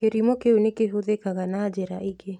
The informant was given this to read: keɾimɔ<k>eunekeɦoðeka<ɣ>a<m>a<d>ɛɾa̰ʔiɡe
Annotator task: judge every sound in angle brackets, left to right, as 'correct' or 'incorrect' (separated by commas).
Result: correct, correct, incorrect, incorrect